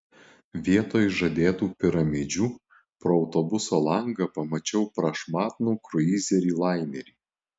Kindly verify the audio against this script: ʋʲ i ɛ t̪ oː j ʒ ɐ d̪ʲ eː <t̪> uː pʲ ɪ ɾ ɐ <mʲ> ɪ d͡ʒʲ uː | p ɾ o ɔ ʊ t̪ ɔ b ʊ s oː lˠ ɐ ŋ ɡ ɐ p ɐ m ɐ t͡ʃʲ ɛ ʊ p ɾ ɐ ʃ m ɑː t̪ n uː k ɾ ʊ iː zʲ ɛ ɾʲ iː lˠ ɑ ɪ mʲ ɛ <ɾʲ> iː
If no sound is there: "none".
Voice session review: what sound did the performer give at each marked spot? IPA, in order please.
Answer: t̪, mʲ, ɾʲ

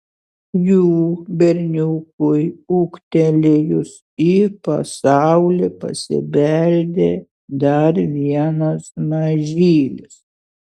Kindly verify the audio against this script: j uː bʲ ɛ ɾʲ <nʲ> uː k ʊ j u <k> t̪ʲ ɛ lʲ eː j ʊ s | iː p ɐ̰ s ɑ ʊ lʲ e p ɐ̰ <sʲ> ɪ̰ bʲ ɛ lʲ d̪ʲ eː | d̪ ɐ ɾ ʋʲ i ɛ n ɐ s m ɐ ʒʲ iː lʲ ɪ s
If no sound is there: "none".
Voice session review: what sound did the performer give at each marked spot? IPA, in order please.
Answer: nʲ, k, sʲ

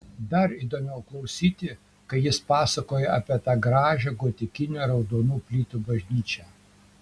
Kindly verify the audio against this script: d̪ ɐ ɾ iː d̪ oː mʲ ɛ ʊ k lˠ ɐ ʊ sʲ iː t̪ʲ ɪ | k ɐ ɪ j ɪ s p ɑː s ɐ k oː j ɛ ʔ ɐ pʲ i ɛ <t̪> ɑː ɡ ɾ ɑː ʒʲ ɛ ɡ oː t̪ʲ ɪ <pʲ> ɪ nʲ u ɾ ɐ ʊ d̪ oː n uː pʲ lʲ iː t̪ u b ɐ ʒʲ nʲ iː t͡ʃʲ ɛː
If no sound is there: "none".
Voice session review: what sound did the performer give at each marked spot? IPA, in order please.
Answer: t̪, kʲ

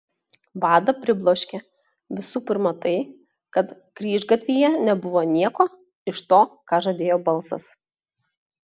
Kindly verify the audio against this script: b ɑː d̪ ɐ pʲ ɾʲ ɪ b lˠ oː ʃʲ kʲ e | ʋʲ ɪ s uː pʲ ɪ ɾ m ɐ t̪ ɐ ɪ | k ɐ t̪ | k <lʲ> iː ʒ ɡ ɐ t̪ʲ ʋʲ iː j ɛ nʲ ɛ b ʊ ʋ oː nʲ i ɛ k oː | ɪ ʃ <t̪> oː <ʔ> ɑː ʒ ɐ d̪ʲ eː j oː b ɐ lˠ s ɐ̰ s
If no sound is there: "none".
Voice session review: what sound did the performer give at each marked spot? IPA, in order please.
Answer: ɾʲ, t̪, k

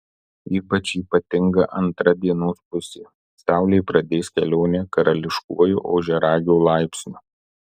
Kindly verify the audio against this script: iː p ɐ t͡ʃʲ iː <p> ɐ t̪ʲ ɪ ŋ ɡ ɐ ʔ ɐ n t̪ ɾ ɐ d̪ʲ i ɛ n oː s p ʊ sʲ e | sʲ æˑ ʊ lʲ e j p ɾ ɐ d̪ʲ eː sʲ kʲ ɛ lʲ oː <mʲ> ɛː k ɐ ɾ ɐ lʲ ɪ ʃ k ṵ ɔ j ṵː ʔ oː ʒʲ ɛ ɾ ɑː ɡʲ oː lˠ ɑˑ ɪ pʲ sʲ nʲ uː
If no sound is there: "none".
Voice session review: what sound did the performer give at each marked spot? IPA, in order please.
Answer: p, nʲ

